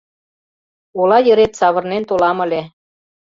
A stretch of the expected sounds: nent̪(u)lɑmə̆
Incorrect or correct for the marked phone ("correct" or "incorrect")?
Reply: incorrect